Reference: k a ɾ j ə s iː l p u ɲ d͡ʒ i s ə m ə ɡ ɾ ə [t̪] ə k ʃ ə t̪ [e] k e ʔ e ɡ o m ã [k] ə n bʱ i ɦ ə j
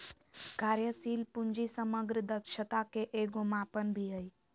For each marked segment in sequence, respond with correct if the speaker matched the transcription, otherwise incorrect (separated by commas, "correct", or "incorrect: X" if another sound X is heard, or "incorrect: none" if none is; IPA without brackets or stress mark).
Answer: incorrect: d̪, incorrect: a, incorrect: p